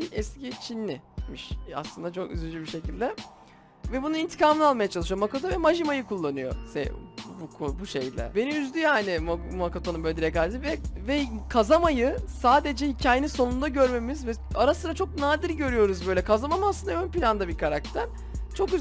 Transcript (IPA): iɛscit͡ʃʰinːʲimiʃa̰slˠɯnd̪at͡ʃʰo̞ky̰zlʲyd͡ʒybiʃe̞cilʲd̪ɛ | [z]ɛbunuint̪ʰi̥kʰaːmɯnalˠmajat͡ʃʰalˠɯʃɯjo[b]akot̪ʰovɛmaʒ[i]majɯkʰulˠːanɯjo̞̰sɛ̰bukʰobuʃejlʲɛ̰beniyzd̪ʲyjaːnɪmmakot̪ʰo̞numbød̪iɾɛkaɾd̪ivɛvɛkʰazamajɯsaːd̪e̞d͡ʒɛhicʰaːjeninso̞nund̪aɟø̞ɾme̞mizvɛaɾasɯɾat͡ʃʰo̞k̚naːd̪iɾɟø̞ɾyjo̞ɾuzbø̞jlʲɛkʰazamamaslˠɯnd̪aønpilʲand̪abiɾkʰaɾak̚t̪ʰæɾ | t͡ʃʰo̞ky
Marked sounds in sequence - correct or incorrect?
incorrect, incorrect, correct

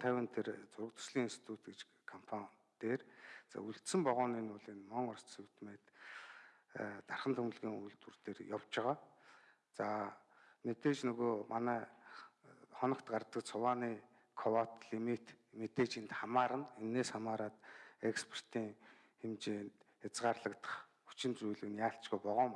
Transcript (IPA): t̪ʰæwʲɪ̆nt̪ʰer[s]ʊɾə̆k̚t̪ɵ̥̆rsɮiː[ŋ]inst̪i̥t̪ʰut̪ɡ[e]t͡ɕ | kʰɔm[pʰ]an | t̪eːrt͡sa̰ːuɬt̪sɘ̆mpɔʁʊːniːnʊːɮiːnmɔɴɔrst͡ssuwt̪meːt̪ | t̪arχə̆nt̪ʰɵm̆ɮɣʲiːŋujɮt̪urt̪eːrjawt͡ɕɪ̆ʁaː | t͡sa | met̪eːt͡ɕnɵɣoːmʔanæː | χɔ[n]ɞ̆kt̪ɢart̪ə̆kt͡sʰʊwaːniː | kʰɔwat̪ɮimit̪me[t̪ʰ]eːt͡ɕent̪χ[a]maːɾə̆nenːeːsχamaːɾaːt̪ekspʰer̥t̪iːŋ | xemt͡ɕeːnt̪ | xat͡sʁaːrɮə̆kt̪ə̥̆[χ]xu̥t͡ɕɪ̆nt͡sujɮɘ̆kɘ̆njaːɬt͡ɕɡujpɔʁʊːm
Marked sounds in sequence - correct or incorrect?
incorrect, correct, correct, correct, correct, incorrect, correct, correct

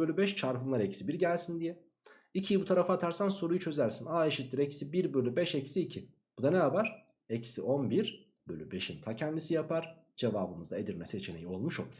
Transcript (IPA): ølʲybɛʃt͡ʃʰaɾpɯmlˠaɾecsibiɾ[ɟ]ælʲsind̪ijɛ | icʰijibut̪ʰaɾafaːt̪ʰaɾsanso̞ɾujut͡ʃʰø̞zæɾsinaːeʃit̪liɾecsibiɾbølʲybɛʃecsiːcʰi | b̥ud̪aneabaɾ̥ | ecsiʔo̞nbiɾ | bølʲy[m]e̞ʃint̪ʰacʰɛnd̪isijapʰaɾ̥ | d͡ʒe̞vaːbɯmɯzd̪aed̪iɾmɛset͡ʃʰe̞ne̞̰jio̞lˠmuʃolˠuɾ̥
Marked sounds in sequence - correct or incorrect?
correct, incorrect

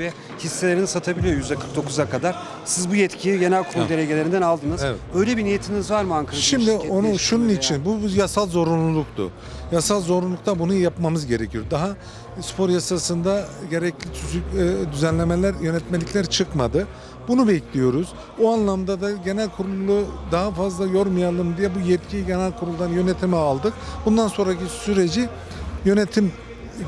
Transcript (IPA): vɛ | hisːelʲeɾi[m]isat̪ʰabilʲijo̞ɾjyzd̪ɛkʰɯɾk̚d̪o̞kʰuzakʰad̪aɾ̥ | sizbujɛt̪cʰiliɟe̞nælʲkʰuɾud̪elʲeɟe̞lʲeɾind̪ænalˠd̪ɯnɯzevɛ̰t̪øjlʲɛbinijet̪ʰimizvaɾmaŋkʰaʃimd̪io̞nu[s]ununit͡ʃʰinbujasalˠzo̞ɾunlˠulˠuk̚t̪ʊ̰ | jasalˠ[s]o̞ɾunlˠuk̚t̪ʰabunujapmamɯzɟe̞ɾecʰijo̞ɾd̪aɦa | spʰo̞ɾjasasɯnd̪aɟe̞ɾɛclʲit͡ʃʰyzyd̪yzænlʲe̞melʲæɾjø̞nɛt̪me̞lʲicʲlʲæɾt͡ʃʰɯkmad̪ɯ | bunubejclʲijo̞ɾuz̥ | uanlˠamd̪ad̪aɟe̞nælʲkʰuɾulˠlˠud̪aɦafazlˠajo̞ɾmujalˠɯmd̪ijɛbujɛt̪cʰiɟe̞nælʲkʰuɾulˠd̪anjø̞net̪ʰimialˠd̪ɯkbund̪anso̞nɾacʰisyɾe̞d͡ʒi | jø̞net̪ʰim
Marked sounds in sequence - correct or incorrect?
incorrect, incorrect, incorrect

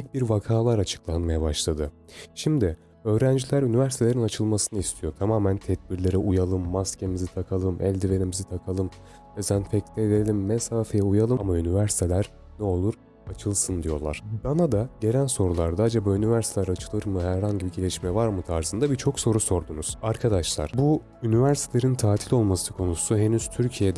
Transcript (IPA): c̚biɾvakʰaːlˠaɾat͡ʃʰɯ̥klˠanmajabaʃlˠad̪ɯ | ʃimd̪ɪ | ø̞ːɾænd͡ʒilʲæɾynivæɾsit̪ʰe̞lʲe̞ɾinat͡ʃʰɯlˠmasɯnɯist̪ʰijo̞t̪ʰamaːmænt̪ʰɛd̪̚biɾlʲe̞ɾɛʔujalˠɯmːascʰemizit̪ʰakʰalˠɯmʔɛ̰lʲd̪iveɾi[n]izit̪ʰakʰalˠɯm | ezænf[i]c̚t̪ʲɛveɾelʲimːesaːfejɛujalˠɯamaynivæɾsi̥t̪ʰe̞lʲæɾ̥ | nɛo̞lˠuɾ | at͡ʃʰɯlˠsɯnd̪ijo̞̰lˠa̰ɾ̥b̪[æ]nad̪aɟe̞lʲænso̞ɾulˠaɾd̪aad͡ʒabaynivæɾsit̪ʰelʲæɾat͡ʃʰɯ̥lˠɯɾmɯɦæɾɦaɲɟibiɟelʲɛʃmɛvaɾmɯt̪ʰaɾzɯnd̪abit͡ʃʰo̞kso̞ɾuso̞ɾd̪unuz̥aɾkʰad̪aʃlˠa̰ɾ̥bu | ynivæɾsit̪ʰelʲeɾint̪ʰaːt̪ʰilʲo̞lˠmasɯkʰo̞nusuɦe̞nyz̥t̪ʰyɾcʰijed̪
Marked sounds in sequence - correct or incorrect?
incorrect, incorrect, incorrect

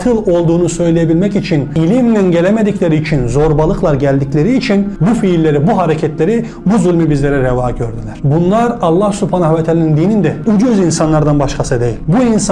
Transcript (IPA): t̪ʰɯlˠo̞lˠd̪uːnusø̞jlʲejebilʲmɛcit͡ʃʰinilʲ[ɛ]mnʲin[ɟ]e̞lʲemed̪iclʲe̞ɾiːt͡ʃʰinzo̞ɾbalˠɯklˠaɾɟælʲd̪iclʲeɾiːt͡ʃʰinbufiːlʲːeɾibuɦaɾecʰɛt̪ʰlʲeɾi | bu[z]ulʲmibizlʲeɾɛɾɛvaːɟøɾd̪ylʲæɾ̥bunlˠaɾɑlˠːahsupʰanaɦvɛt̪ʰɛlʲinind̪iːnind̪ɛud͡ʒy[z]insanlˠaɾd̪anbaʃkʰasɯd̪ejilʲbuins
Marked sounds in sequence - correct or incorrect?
incorrect, correct, correct, correct

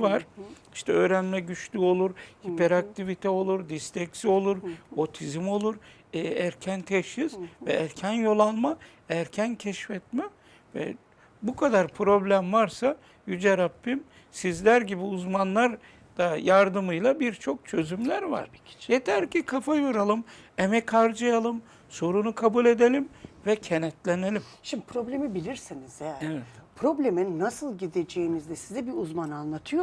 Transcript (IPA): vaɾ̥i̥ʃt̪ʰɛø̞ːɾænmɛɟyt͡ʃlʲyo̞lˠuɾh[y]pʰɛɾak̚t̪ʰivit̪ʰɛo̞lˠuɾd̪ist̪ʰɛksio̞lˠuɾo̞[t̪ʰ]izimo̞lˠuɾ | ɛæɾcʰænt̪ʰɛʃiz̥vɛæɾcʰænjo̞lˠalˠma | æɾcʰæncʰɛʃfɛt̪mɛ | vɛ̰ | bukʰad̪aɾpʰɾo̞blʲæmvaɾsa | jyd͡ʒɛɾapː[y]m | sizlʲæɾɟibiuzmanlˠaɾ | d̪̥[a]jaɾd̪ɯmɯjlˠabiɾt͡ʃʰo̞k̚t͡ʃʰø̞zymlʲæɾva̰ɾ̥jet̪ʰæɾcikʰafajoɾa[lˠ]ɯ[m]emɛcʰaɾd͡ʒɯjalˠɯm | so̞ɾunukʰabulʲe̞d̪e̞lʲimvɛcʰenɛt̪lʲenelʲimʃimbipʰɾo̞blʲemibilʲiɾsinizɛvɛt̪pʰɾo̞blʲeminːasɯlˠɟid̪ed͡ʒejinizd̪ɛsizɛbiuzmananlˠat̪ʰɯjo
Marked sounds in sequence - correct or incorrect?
incorrect, correct, incorrect, correct, correct, correct

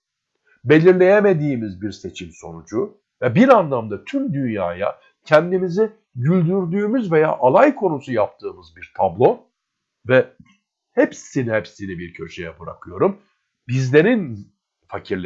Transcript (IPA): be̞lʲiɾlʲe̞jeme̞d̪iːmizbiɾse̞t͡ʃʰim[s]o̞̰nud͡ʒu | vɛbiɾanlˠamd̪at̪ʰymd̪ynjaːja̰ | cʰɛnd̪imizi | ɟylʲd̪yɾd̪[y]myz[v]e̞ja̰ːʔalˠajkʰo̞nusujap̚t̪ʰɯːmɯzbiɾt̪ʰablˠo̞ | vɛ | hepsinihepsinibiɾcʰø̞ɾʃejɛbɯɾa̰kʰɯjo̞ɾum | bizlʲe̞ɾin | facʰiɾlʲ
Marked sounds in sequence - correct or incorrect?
correct, incorrect, correct

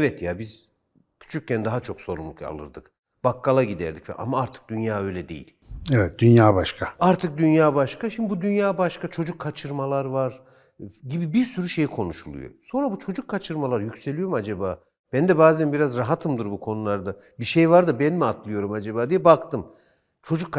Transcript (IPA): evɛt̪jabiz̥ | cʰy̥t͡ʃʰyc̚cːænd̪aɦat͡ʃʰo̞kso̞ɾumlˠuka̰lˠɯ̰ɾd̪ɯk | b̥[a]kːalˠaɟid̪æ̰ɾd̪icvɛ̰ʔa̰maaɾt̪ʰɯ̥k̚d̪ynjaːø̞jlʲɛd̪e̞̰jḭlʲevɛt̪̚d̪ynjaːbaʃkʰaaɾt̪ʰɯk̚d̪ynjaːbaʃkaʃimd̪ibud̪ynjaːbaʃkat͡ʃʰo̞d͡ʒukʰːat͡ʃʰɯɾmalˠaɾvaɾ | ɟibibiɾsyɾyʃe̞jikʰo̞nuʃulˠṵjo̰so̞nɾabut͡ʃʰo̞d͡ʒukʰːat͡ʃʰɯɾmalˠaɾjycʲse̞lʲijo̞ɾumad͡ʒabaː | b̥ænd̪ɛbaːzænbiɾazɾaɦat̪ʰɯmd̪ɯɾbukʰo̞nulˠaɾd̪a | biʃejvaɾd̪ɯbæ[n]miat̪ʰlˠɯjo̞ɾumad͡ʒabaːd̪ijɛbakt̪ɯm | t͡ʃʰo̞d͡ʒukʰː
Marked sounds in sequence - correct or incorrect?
correct, correct

